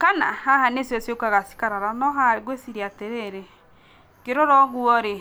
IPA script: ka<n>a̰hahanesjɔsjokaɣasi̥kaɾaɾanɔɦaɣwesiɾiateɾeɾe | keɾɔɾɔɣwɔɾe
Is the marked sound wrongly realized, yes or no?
no